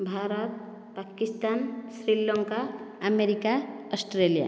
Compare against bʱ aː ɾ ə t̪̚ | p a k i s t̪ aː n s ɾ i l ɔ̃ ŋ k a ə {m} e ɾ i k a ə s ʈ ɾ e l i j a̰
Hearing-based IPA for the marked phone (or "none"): m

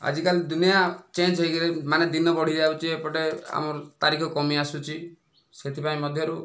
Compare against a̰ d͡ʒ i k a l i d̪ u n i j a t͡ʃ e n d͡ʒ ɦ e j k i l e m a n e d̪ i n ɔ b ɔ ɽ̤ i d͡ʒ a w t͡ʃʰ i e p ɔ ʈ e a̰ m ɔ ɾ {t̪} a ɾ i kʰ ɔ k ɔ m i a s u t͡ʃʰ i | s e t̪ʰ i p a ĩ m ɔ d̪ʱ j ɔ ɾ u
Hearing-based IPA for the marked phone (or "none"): t̪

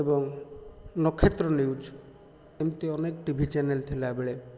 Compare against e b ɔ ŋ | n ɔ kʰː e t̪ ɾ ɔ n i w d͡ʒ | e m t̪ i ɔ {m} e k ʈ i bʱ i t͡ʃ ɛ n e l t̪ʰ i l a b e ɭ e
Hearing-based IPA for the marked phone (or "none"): n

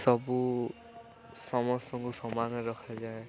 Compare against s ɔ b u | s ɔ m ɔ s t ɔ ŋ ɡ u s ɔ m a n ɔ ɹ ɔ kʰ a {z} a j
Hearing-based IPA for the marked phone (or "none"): z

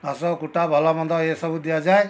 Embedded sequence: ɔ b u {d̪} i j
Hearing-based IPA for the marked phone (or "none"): d̪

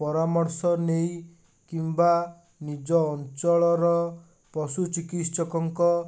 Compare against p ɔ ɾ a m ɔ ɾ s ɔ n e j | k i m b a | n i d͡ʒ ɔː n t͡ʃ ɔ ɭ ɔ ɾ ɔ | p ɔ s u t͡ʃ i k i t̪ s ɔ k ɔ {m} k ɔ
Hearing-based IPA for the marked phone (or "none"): ŋ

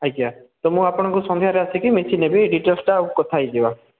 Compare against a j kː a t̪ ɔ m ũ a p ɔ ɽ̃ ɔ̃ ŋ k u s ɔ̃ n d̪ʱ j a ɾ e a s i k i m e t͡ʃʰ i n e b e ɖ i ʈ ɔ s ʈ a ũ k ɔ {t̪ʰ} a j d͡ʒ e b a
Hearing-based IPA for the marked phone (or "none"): t̪ʰ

